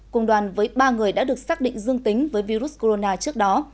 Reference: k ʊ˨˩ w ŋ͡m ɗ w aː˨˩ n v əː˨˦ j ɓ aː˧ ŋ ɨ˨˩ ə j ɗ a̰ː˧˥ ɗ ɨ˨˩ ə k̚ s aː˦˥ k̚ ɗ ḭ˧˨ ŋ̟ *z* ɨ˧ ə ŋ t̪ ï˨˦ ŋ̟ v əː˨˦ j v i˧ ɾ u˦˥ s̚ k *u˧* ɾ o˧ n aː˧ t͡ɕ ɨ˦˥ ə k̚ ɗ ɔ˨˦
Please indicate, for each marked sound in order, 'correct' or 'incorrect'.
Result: correct, incorrect

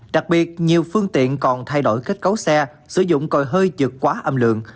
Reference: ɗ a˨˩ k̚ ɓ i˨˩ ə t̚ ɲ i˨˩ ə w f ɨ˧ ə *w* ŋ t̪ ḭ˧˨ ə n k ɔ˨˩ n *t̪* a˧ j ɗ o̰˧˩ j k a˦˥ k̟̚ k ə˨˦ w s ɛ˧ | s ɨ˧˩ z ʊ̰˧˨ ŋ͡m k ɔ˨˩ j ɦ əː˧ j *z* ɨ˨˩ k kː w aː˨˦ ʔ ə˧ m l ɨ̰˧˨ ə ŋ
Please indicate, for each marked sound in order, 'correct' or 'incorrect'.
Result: incorrect, incorrect, correct

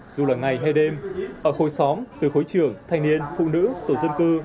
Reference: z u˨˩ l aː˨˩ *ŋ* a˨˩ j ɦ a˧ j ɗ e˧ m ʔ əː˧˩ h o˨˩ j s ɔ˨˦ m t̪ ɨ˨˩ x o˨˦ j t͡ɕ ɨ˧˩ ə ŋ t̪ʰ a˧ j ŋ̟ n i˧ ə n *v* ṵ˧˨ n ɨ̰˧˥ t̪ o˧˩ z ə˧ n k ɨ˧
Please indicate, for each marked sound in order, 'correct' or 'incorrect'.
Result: correct, incorrect

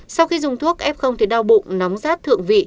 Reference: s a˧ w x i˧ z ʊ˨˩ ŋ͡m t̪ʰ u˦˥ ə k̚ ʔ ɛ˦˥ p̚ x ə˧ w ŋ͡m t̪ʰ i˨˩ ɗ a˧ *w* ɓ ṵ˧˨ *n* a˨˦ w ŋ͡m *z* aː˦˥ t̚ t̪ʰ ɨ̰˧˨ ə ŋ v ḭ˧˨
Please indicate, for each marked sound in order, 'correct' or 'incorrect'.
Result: correct, correct, correct

